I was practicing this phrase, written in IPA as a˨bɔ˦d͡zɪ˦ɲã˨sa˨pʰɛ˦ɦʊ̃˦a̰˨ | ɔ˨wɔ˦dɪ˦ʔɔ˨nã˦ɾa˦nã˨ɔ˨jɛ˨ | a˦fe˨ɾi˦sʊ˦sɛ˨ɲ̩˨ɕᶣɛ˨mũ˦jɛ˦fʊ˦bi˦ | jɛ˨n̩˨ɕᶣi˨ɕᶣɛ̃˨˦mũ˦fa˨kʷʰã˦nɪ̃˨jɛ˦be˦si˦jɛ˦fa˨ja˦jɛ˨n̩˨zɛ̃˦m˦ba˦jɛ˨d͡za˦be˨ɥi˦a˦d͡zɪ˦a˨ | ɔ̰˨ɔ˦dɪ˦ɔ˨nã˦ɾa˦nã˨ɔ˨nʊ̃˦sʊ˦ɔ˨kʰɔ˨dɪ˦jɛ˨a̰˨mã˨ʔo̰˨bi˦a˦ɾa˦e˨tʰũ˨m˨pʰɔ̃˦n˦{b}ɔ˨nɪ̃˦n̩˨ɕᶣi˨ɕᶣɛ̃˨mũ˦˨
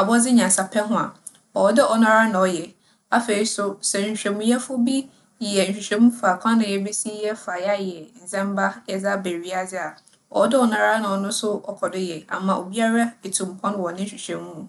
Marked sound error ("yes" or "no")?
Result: yes